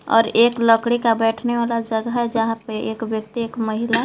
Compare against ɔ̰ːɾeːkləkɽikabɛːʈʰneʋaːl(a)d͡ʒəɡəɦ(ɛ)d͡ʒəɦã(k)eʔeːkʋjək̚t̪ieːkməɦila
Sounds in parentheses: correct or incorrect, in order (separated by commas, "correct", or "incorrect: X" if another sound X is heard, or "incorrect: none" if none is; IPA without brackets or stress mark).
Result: correct, correct, incorrect: p